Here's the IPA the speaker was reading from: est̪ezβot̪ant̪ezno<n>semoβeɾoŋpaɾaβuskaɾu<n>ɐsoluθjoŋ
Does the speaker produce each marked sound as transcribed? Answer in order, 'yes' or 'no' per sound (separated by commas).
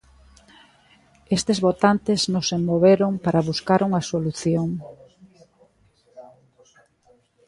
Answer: no, no